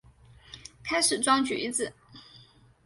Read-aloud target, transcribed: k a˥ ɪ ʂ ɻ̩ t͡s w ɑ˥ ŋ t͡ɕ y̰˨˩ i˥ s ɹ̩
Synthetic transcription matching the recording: kʰ a˥ ɪ ʂ ɻ̩ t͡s w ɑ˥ ŋ t͡ɕ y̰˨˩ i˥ t͡s ɹ̩